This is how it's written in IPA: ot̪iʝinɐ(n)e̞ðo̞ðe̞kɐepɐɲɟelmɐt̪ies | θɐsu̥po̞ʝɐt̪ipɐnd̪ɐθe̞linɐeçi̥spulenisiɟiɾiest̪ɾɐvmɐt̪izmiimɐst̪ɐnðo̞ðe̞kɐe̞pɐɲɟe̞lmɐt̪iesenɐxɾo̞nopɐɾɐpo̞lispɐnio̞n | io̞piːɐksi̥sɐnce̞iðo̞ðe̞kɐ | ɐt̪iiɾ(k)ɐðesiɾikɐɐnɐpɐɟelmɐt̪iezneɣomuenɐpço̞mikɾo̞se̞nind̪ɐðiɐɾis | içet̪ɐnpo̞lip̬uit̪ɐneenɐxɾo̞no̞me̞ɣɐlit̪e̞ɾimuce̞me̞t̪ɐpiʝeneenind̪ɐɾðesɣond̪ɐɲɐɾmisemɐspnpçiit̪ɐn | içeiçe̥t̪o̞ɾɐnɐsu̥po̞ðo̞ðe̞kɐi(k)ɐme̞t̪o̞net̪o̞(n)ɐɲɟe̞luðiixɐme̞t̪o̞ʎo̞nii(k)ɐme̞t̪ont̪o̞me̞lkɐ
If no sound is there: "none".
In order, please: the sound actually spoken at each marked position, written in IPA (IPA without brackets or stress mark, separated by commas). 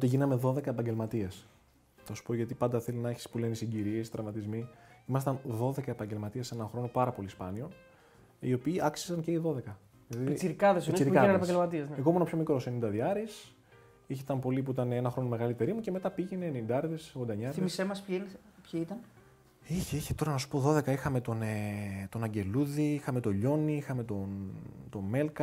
m, k, x, n, x